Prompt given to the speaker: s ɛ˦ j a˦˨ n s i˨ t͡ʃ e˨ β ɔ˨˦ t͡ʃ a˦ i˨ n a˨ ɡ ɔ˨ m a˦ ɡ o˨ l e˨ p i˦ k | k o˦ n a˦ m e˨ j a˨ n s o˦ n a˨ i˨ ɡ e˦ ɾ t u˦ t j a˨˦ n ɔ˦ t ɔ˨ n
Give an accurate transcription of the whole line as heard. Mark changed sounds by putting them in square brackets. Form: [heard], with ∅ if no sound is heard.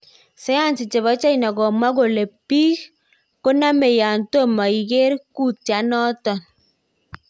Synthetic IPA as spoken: s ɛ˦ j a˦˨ n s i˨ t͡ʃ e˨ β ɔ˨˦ t͡ʃ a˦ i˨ n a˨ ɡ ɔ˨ m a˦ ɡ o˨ l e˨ p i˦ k | k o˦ n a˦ m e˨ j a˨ n [t] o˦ [m] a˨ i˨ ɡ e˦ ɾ [k] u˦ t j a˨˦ n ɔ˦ t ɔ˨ n